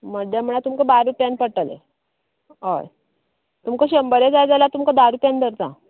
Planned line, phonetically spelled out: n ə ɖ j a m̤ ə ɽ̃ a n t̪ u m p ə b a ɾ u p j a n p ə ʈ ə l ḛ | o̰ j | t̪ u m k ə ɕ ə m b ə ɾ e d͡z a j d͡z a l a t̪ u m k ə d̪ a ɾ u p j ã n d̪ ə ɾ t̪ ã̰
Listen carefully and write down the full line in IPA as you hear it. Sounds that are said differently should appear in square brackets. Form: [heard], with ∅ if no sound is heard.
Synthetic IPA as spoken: [m] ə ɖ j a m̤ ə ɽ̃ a [∅] t̪ u m [k] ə b a ɾ u p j a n p ə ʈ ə l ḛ | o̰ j | t̪ u m k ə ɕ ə m b ə ɾ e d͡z a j d͡z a l a t̪ u m k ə d̪ a ɾ u p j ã n d̪ ə ɾ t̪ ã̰